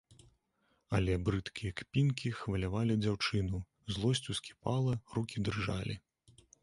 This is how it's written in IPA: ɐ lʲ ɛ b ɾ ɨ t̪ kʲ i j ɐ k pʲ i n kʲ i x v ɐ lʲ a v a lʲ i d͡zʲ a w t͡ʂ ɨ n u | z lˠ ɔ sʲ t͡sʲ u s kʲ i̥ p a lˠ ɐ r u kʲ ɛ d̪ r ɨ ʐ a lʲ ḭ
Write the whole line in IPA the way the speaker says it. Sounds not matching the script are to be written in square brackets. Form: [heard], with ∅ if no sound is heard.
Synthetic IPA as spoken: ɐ lʲ ɛ b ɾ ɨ t̪ kʲ i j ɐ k pʲ i n kʲ i x v ɐ lʲ a v a lʲ i d͡zʲ a w t͡ʂ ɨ n u | z lˠ ɔ sʲ t͡sʲ u s kʲ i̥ p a lˠ ɐ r u kʲ [i] d̪ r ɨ ʐ a lʲ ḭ